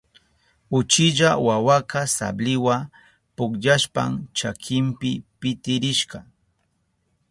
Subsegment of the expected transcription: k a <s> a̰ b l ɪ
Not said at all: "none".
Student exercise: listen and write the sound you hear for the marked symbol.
s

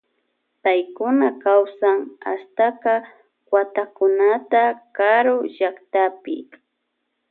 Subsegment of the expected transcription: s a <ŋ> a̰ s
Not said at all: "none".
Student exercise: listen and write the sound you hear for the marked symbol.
ŋ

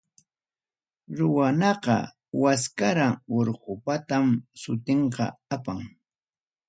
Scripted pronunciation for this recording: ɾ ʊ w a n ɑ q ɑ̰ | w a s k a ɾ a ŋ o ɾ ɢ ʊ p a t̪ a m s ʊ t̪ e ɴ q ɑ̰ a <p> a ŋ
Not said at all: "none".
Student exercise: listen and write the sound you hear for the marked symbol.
p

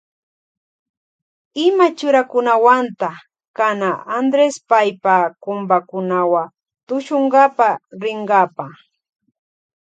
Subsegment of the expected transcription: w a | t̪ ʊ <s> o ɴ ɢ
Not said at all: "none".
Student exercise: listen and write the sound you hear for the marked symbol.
ʃ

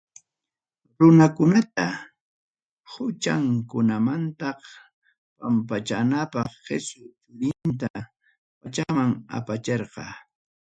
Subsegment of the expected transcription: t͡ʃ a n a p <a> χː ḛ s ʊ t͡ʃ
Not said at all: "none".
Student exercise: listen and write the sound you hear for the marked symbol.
ɑ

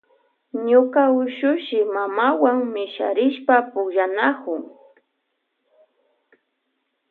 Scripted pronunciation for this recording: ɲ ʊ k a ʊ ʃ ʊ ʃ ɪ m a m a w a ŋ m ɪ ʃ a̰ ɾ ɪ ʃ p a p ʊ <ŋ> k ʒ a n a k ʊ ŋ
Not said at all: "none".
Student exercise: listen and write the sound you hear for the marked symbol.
none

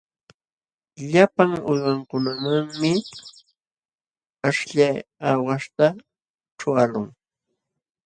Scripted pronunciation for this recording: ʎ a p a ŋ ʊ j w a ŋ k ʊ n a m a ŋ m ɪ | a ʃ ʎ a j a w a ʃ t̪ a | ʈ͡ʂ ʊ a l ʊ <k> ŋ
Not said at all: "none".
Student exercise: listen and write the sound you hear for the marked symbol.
none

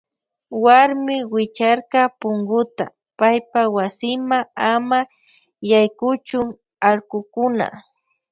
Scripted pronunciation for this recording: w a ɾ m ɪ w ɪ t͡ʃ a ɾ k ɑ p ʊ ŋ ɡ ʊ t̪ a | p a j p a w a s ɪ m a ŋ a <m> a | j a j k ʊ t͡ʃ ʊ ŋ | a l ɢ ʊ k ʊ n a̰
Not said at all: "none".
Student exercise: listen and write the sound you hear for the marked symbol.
m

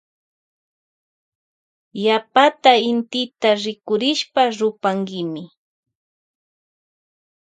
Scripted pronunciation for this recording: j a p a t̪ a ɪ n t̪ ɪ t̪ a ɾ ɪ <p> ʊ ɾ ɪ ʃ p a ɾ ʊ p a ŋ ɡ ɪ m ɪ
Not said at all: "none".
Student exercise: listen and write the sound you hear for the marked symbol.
k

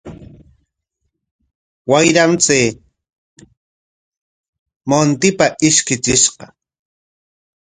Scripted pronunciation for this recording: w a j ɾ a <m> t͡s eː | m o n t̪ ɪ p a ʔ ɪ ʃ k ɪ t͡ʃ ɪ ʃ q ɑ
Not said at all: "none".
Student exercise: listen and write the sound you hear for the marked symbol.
m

